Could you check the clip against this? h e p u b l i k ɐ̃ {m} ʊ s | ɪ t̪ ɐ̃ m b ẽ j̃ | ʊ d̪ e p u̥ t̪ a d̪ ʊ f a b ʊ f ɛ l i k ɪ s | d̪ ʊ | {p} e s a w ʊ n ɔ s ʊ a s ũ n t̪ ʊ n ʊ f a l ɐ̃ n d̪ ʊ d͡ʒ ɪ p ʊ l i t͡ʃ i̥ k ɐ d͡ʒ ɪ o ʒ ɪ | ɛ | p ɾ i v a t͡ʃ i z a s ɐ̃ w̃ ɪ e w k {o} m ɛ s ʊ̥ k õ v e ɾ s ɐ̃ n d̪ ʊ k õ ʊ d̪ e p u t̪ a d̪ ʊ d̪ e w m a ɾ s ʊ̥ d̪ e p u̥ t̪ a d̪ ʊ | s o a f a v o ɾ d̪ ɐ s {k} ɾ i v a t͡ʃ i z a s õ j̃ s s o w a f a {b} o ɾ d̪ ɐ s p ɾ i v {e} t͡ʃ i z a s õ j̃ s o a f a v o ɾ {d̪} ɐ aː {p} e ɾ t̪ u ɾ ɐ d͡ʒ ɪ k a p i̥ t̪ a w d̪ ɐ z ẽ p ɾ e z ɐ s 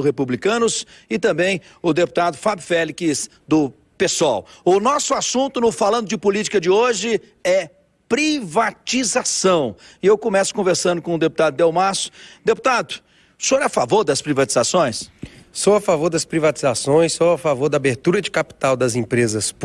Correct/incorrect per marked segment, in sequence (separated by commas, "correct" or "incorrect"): incorrect, correct, incorrect, incorrect, incorrect, incorrect, correct, incorrect